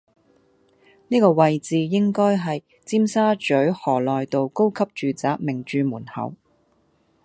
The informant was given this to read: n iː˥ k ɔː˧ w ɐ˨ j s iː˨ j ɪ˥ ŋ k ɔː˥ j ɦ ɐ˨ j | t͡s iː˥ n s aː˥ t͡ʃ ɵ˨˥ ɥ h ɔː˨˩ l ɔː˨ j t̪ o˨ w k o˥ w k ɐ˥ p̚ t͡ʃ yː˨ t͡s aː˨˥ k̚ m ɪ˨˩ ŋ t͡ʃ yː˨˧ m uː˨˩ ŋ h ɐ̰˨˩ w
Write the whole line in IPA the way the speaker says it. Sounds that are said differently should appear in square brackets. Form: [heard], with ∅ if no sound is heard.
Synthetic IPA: n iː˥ k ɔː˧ w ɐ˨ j [t͡s] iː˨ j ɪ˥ ŋ k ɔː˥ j ɦ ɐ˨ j | t͡s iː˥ [m] s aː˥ t͡ʃ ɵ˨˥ ɥ h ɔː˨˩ l ɔː˨ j t̪ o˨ w k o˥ w [kʰ] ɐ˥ p̚ t͡ʃ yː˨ t͡s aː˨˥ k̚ m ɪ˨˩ ŋ t͡ʃ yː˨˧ m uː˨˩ [n] h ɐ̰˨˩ w

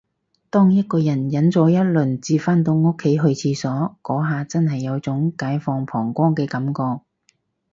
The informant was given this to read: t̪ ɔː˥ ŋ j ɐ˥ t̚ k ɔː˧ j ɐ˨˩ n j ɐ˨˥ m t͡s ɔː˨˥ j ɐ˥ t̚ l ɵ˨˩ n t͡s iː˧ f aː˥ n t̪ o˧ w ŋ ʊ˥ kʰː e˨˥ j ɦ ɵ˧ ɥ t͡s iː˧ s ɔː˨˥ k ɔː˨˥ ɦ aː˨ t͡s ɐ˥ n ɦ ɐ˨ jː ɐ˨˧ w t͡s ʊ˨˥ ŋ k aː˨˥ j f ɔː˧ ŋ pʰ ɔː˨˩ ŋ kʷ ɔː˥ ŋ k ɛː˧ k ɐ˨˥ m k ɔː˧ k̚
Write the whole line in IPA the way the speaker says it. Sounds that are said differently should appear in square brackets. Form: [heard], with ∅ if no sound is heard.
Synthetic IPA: t̪ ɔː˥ ŋ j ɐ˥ t̚ k ɔː˧ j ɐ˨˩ n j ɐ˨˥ [n] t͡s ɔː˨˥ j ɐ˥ t̚ l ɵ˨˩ n t͡s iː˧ f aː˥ n t̪ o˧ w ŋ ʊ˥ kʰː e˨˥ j ɦ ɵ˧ ɥ [t͡sʰ] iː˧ s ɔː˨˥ k ɔː˨˥ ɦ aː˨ t͡s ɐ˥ n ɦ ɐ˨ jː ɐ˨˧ w t͡s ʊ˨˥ ŋ k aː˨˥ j f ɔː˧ ŋ pʰ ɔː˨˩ ŋ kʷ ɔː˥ ŋ k ɛː˧ k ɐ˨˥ m k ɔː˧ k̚

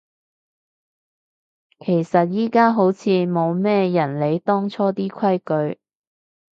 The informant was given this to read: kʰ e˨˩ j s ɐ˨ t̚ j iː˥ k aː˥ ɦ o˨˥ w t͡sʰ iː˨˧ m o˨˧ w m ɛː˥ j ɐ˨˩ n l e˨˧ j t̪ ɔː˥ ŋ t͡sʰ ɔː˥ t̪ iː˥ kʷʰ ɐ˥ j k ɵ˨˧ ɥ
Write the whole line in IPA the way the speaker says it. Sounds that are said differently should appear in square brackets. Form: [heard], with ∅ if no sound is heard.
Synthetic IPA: kʰ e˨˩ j s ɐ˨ t̚ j iː˥ k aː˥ ɦ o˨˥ w t͡sʰ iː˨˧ m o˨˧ w m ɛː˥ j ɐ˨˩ n l e˨˧ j t̪ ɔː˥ ŋ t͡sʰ ɔː˥ t̪ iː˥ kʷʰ ɐ˥ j k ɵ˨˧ ɥ

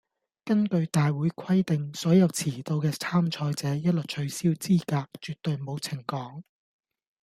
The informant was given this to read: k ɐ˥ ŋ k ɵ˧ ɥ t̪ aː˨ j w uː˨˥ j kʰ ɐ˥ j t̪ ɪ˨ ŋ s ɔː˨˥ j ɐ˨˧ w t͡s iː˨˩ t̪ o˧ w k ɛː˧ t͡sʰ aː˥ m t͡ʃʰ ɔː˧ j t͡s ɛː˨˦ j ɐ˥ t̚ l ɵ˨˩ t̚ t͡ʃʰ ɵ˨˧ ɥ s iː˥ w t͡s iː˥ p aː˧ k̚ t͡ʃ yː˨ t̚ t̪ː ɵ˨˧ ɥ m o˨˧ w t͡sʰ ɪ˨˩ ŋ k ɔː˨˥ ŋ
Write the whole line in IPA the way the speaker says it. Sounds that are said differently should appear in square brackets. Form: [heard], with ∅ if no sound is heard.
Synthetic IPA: k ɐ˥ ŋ k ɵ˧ ɥ t̪ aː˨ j w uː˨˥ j kʰ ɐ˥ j t̪ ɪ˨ ŋ s ɔː˨˥ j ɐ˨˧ w [t͡sʰ] iː˨˩ t̪ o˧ w k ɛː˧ t͡sʰ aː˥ m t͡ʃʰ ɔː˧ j t͡s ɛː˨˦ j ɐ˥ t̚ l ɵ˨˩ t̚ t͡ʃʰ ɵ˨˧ ɥ s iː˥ w t͡s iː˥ [k] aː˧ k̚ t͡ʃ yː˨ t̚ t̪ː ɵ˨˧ ɥ m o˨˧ w t͡sʰ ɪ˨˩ ŋ k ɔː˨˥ ŋ

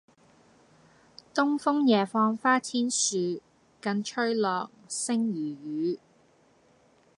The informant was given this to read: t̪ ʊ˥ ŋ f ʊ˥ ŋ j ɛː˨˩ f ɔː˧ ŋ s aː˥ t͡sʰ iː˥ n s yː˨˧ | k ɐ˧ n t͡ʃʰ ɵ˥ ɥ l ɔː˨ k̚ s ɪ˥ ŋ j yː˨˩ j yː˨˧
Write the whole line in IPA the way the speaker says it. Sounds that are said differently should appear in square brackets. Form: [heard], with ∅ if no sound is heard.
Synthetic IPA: t̪ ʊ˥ ŋ f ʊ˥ ŋ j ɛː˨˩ f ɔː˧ ŋ [f] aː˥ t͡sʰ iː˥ n s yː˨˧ | k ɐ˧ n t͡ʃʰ ɵ˥ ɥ l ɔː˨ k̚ s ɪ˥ ŋ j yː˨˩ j yː˨˧

